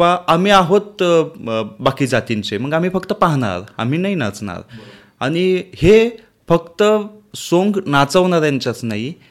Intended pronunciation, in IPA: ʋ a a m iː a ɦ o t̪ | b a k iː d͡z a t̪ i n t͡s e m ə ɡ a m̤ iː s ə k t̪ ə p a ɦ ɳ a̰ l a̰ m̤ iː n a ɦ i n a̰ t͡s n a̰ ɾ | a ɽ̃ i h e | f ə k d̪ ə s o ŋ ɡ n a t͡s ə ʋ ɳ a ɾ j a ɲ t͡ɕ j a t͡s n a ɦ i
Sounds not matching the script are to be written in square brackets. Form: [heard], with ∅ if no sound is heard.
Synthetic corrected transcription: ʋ a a m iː a ɦ o t̪ | b a k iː d͡z a t̪ i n t͡s e m ə ɡ a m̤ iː [f] ə k t̪ ə p a ɦ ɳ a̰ [ɾ] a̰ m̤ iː n a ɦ i n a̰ t͡s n a̰ ɾ | a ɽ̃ i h e | f ə k [t̪] ə s o ŋ ɡ n a t͡s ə ʋ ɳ a ɾ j a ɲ t͡ɕ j a t͡s n a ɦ i